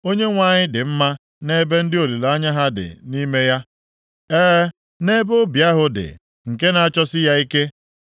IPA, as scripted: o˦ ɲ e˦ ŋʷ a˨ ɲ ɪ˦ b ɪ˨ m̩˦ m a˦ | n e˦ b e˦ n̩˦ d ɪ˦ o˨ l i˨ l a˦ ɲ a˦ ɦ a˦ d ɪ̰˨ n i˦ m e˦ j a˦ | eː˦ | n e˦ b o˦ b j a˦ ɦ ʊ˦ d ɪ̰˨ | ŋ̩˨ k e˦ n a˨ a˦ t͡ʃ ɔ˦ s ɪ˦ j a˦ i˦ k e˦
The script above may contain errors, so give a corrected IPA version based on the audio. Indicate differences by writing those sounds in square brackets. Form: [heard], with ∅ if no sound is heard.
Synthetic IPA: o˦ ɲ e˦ ŋʷ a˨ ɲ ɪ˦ [d] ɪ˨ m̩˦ m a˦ | n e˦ b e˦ n̩˦ d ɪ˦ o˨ l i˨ l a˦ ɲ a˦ ɦ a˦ d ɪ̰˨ n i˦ m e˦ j a˦ | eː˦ | n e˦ b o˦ b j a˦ ɦ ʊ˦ d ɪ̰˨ | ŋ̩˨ k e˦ n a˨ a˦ t͡ʃ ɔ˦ s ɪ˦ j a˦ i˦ k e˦